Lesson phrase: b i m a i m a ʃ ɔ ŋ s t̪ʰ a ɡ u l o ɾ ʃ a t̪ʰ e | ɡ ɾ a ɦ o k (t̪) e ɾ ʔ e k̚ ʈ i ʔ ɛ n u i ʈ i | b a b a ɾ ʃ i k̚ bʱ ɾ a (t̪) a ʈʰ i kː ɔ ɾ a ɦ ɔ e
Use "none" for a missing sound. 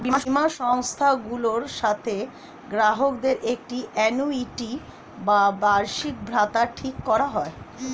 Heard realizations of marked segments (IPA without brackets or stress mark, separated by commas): d̪, t̪